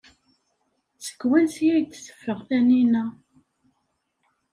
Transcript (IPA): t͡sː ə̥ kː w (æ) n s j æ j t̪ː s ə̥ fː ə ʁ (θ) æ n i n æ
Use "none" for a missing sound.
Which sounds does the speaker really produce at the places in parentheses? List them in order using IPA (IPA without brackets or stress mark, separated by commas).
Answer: æ, θ